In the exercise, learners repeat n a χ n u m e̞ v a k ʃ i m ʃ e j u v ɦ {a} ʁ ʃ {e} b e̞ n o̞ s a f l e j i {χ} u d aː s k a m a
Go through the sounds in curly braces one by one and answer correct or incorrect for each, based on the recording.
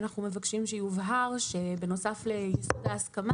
correct, correct, incorrect: s

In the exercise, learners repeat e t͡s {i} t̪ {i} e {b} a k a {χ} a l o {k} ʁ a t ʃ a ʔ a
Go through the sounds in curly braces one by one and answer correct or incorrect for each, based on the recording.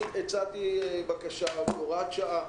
incorrect: a, correct, correct, incorrect: ʃ, incorrect: none

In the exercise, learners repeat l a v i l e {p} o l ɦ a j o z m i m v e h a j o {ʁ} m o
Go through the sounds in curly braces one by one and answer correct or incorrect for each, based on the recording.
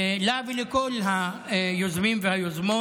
incorrect: k, incorrect: z

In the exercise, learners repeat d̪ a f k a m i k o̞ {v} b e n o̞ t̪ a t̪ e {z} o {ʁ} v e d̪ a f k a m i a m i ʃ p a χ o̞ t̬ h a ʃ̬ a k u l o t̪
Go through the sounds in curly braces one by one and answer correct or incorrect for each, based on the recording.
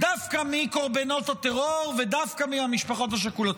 incorrect: ʁ, incorrect: ʁ, correct

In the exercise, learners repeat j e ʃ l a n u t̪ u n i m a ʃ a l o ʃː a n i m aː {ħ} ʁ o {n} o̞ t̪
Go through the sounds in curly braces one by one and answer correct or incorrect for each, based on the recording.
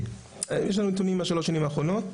incorrect: χ, correct

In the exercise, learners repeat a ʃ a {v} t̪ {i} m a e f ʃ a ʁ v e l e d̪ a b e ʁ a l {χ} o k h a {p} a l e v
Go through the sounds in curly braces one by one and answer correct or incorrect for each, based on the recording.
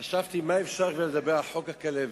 correct, correct, incorrect: ħ, incorrect: k

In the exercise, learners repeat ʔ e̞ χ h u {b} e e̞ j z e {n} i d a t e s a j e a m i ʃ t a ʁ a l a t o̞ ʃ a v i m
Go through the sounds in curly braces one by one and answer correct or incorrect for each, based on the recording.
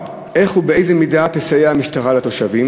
correct, incorrect: m

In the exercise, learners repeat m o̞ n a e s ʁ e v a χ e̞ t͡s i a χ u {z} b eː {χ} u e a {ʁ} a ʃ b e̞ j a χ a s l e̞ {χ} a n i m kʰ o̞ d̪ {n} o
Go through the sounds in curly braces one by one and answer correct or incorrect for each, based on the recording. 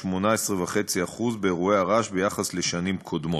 correct, incorrect: ʁ, correct, incorrect: ʃ, incorrect: m

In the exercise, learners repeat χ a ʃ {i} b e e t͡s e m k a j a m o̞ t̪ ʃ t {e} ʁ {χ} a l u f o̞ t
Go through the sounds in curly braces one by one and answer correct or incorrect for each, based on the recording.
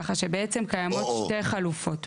incorrect: e, correct, correct

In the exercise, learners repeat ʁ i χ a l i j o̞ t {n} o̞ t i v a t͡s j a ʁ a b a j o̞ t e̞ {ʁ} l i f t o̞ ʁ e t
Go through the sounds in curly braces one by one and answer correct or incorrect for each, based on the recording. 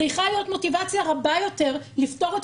incorrect: m, correct

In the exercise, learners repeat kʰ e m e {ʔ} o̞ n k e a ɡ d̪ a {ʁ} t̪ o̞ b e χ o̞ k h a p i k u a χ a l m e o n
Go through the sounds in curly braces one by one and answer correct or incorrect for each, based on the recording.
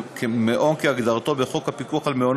correct, correct

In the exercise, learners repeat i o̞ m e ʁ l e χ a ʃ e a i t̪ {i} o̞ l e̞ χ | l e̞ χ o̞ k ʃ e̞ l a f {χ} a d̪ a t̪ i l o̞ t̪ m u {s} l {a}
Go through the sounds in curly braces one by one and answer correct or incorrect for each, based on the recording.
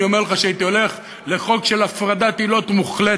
correct, incorrect: ʁ, incorrect: χ, incorrect: e

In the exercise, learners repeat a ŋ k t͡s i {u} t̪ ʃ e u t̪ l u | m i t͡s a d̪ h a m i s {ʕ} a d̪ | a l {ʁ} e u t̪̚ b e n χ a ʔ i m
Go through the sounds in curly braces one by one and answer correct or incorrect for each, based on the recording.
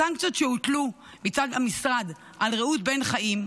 incorrect: o, incorrect: ʁ, correct

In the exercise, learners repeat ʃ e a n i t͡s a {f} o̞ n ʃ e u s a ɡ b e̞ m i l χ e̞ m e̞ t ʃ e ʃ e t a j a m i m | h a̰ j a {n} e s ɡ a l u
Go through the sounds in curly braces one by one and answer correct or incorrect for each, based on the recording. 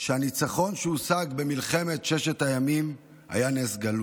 incorrect: χ, correct

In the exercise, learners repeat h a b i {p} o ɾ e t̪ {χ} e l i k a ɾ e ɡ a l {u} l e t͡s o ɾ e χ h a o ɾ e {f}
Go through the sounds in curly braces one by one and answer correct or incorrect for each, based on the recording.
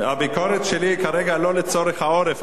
incorrect: k, incorrect: ʃ, incorrect: o, correct

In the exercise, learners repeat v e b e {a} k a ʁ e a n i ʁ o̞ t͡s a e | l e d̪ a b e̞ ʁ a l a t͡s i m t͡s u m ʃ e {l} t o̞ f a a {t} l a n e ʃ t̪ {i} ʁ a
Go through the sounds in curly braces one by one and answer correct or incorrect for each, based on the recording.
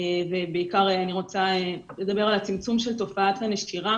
incorrect: i, correct, correct, correct

